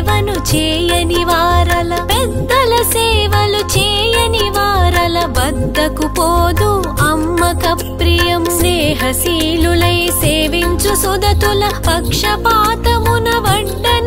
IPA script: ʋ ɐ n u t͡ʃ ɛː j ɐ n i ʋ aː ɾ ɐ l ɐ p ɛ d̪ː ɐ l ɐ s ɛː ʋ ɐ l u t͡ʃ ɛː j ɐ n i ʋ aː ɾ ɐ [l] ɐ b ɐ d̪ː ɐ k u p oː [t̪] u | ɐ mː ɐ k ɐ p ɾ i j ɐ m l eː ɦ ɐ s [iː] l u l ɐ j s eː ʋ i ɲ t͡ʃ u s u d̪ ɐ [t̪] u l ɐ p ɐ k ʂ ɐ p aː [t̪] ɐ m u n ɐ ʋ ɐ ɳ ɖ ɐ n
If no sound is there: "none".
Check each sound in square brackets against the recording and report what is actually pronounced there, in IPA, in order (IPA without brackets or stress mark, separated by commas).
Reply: l, d̪, iː, t̪, t̪